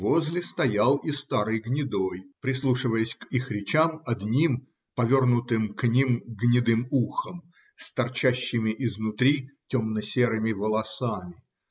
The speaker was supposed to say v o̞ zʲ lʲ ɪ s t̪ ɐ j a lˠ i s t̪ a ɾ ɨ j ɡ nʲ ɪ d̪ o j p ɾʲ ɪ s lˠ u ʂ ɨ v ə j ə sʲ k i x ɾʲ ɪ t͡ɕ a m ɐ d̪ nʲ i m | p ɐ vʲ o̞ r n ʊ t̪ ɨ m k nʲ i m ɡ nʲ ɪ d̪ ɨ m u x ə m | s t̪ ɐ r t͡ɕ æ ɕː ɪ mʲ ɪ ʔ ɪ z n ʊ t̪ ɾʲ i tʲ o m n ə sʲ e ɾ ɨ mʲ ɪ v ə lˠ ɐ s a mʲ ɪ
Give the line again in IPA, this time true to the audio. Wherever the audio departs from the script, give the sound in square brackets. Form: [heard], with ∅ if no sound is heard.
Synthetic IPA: v o̞ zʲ lʲ ɪ s t̪ ɐ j a lˠ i s t̪ a ɾ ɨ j ɡ nʲ ɪ d̪ o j p ɾʲ ɪ s lˠ u ʂ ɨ v ə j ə sʲ k i x ɾʲ ɪ t͡ɕ a m ɐ d̪ nʲ i m | p ɐ vʲ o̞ r n ʊ t̪ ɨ m k nʲ i m ɡ nʲ ɪ d̪ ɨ m u x ə m | s t̪ ɐ r t͡ɕ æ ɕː ɪ mʲ ɪ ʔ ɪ z n ʊ t̪ ɾʲ i tʲ o m n ə sʲ e ɾ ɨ mʲ ɪ v ə lˠ ɐ s a mʲ ɪ

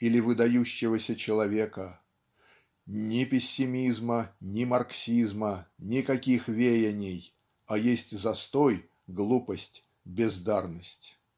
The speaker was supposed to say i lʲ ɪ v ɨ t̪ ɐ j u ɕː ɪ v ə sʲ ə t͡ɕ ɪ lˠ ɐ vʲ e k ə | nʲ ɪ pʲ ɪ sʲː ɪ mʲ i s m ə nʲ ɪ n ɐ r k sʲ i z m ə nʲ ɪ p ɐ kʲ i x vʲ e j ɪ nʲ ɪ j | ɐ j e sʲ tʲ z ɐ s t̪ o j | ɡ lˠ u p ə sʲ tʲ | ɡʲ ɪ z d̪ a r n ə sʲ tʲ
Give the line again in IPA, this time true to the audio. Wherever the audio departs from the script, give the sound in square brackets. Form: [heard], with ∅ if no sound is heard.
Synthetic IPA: i lʲ ɪ v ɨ [d̪] ɐ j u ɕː ɪ v ə sʲ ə t͡ɕ ɪ lˠ ɐ vʲ e k ə | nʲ ɪ pʲ ɪ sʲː ɪ mʲ i [z] m ə nʲ ɪ [m] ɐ r k sʲ i z m ə nʲ ɪ [k] ɐ kʲ i x vʲ e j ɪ nʲ ɪ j | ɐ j e sʲ tʲ z ɐ s t̪ o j | ɡ lˠ u p ə sʲ tʲ | [bʲ] ɪ z d̪ a r n ə sʲ tʲ

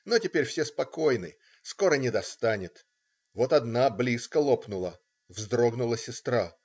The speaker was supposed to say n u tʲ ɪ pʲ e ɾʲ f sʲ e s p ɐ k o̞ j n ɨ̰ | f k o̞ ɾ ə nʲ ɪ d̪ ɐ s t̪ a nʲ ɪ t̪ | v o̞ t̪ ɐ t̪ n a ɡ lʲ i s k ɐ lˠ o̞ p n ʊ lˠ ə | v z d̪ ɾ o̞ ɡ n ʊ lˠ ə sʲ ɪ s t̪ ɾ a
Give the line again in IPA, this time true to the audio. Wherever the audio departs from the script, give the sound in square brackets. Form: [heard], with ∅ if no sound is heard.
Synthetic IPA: n [o] tʲ ɪ pʲ e ɾʲ f sʲ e s p ɐ k o̞ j n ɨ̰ | [s] k o̞ ɾ ə nʲ ɪ d̪ ɐ s t̪ a nʲ ɪ t̪ | v o̞ t̪ ɐ [d̪] n a [b] lʲ i s k [ə] lˠ o̞ p n ʊ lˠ ə | v z d̪ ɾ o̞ ɡ n ʊ lˠ ə sʲ ɪ s t̪ ɾ a

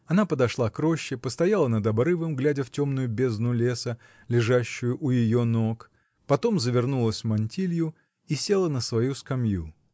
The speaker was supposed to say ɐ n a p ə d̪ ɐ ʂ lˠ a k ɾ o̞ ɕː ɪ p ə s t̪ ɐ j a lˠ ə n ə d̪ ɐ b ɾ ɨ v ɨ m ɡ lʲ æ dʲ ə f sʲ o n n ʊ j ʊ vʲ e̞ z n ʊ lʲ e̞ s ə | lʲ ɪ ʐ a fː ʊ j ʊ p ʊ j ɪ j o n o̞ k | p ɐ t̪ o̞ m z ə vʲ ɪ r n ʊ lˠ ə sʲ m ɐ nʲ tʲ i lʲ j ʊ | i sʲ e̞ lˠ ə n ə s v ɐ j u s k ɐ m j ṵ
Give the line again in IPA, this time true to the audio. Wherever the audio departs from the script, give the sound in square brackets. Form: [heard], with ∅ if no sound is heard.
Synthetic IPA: ɐ n a p ə d̪ ɐ ʂ lˠ a k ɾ o̞ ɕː ɪ p ə s t̪ ɐ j a lˠ ə n ə d̪ ɐ b ɾ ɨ v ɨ m ɡ lʲ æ dʲ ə f [tʲ] o [m] n ʊ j ʊ [bʲ] e̞ z n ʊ lʲ e̞ s ə | lʲ ɪ ʐ a [ɕː] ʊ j ʊ [ʔ] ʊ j ɪ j o n o̞ k | p ɐ t̪ o̞ m z ə vʲ ɪ r n [u] lˠ ə sʲ m ɐ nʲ tʲ i lʲ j ʊ | i sʲ e̞ lˠ ə n ə s v ɐ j u s k ɐ m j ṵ

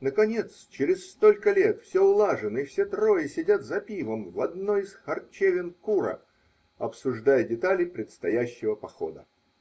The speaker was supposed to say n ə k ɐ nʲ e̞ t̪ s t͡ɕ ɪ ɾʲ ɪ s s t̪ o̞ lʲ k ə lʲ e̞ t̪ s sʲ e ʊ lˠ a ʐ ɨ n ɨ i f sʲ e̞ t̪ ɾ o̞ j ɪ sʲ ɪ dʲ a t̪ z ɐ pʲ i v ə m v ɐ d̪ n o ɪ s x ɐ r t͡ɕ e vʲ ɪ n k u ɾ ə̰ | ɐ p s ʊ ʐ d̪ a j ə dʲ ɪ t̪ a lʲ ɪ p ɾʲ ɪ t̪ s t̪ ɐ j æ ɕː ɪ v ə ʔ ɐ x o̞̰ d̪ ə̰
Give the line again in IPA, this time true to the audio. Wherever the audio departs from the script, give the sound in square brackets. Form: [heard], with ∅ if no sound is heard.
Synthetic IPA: n ə k ɐ nʲ e̞ t̪ s t͡ɕ ɪ ɾʲ ɪ s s t̪ o̞ lʲ k ə lʲ e̞ t̪ [f] sʲ e ʊ lˠ a ʐ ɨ n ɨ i f sʲ e̞ t̪ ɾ o̞ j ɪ sʲ ɪ dʲ a t̪ z ɐ pʲ i v ə m v ɐ d̪ n o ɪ s x ɐ r t͡ɕ e vʲ ɪ n k u ɾ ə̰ | ɐ p s ʊ ʐ d̪ a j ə dʲ ɪ t̪ a lʲ ɪ p ɾʲ ɪ t̪ s t̪ ɐ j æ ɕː ɪ v ə [p] ɐ x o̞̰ d̪ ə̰

